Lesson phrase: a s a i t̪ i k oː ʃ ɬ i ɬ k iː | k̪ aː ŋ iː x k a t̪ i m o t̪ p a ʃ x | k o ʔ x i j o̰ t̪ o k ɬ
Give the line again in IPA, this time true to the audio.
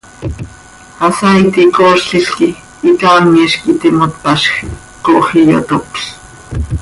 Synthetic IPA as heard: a s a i t̪ i k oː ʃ ɬ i ɬ k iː | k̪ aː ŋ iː ʃ k i t̪ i m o t̪ p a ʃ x | k o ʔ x i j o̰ t̪ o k ɬ